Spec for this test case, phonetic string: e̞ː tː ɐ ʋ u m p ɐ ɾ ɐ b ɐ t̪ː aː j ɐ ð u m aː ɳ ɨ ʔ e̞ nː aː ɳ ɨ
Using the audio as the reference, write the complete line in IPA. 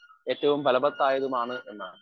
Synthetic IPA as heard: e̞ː tː ɐ ʋ u m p ɐ l ɐ b ɐ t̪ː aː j ɐ ð u m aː ɳ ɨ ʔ e̞ nː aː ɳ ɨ

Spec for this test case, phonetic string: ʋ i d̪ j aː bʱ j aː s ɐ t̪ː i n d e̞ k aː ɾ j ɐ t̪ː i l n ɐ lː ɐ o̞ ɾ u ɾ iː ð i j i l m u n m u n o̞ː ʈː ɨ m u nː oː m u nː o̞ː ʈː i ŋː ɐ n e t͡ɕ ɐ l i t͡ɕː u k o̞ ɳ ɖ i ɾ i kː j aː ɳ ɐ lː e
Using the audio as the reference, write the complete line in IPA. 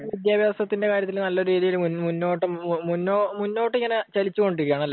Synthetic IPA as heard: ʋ i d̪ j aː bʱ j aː s ɐ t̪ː i n d e̞ k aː ɾ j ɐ t̪ː i l n ɐ lː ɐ o̞ ɾ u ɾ iː ð i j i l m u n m u nː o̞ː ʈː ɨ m u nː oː m u nː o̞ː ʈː i ŋː ɐ n e t͡ɕ ɐ l i t͡ɕː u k o̞ ɳ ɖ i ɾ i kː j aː ɳ ɐ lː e

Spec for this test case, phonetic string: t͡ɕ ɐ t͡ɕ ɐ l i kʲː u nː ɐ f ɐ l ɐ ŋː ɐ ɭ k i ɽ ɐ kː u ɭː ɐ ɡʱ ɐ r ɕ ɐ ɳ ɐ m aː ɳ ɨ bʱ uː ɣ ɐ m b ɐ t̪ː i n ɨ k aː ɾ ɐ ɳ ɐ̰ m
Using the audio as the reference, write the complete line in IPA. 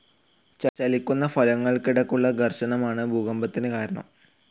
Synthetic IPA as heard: t͡ɕ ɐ t͡ɕ ɐ l i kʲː u nː ɐ f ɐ l ɐ ŋː ɐ ɭ k i ɽ ɐ kː u ɭː ɐ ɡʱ ɐ r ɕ ɐ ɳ ɐ m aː ɳ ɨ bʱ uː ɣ ɐ m b ɐ t̪ː i n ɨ k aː ɾ ɐ ɳ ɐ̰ m

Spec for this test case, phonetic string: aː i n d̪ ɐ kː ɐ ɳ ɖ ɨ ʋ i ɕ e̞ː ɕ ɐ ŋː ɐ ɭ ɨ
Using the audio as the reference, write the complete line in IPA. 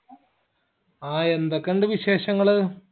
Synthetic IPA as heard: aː e n d̪ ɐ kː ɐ ɳ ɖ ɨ ʋ i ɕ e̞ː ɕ ɐ ŋː ɐ ɭ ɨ

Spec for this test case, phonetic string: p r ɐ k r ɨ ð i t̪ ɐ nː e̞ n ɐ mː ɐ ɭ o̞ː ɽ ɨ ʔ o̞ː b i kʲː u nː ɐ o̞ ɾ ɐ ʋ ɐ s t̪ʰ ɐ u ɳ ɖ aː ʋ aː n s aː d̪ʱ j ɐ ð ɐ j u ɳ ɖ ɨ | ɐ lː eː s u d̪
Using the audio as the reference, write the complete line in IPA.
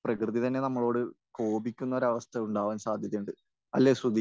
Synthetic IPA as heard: p r ɐ k r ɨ ð i t̪ ɐ nː e̞ n ɐ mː ɐ ɭ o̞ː ɽ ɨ k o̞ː b i kʲː u nː ɐ o̞ ɾ ɐ ʋ ɐ s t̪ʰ ɐ u ɳ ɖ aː ʋ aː n s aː d̪ʱ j ɐ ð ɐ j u ɳ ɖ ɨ | ɐ lː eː s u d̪

